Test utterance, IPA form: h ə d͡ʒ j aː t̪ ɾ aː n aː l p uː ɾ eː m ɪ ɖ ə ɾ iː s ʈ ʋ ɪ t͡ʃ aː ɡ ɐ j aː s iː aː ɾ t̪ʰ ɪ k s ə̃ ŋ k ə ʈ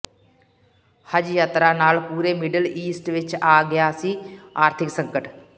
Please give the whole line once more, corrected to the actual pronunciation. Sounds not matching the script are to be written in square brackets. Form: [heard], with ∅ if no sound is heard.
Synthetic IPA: h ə d͡ʒ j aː t̪ ɾ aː n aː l p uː ɾ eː m ɪ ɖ ə [l] iː s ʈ ʋ ɪ t͡ʃ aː ɡ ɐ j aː s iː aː ɾ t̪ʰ ɪ k s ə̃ ŋ k ə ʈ